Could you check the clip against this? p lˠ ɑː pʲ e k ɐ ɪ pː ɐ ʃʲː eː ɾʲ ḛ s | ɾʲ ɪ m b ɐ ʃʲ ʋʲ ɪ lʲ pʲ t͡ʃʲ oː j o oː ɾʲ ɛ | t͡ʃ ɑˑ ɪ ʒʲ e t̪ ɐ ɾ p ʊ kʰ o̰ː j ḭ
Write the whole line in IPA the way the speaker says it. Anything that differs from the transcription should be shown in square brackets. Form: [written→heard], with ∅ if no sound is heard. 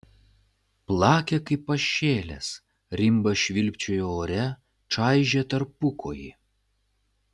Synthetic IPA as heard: p lˠ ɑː [pʲ→kʲ] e k ɐ ɪ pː ɐ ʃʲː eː [ɾʲ→lʲ] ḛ s | ɾʲ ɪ m b ɐ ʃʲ ʋʲ ɪ lʲ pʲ t͡ʃʲ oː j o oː ɾʲ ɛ | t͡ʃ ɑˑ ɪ ʒʲ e t̪ ɐ ɾ p ʊ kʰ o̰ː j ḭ